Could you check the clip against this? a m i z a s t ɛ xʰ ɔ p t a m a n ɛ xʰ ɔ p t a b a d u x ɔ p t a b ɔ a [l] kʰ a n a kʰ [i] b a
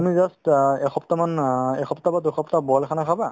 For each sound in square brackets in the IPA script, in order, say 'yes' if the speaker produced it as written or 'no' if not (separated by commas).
yes, no